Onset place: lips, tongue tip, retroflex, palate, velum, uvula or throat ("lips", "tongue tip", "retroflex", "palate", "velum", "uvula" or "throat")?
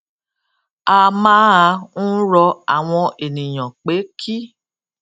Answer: lips